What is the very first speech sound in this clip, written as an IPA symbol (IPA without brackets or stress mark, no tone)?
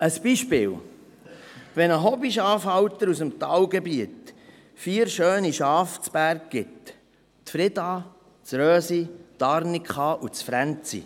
ə